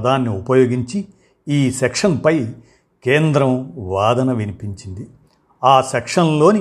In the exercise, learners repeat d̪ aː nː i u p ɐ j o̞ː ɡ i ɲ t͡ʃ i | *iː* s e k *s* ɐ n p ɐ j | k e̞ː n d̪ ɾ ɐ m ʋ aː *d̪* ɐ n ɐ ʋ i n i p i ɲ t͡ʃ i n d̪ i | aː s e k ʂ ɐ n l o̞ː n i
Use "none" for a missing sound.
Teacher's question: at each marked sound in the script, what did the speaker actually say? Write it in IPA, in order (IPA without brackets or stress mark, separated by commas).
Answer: iː, ʂ, d̪